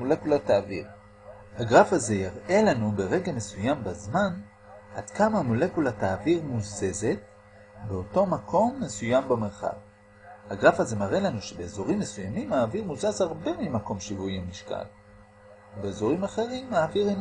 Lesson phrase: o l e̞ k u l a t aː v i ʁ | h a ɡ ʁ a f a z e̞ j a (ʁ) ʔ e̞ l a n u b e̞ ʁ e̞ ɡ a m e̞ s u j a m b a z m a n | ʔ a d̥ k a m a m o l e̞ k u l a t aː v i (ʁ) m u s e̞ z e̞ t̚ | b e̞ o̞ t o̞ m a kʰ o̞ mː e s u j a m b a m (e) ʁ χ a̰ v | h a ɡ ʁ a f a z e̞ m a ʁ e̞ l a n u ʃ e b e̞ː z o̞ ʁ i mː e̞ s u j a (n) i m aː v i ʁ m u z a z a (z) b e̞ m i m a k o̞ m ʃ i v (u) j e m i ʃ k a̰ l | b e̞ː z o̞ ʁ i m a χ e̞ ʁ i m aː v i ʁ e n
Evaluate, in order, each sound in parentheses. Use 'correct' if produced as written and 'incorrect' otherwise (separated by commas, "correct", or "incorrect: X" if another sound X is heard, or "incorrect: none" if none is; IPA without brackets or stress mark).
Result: correct, correct, correct, incorrect: m, incorrect: ʁ, correct